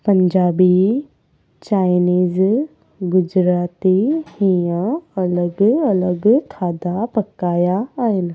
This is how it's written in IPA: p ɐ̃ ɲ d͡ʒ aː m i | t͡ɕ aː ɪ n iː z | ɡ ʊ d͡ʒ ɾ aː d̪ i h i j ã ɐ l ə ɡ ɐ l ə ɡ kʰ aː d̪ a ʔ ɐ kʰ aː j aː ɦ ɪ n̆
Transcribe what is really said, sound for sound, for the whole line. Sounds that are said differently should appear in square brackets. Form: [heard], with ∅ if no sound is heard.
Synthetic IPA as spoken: p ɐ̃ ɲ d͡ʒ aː [b] i | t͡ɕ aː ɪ n iː z | ɡ ʊ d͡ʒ ɾ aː [t̪] i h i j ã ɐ l ə ɡ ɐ l ə ɡ kʰ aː d̪ a [p] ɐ [k] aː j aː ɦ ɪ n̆